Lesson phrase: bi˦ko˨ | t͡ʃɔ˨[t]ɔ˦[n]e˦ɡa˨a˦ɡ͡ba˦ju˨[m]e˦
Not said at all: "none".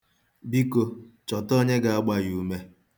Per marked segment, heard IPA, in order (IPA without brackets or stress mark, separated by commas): t, ɲ, m